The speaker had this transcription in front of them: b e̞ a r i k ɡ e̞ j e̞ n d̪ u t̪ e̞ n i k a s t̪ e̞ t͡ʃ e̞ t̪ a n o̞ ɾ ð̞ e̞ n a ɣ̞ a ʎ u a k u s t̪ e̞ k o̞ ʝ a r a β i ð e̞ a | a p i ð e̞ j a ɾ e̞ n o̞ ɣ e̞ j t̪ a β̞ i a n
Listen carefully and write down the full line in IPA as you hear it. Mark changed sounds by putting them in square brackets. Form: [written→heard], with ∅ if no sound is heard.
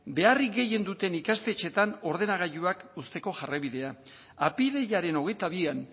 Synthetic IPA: b e̞ a r i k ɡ e̞ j e̞ n d̪ u t̪ e̞ n i k a s t̪ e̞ t͡ʃ e̞ t̪ a n o̞ ɾ ð̞ e̞ n a ɣ̞ a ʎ u a k u s t̪ e̞ k o̞ ʝ a r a β i ð e̞ a | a p i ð e̞ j a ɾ e̞ n o̞ ɣ e̞ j t̪ a β̞ i a n